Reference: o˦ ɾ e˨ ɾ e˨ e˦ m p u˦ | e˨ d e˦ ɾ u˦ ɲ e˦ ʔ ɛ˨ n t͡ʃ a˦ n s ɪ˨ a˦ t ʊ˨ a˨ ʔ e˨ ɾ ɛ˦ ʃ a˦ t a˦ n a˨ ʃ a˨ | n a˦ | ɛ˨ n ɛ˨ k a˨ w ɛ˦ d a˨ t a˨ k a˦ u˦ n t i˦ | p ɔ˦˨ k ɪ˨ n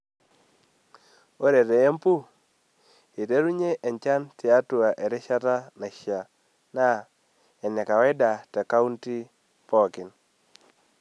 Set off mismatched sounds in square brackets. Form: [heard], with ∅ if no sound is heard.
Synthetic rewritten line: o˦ ɾ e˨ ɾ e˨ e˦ m p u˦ | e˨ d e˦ ɾ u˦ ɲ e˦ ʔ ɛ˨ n t͡ʃ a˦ n [t] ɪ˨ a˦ t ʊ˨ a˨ ʔ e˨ ɾ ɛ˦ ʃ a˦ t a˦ n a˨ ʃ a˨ | n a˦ | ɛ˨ n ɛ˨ k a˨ w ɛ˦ d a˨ t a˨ k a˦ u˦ n t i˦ | p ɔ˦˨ k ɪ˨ n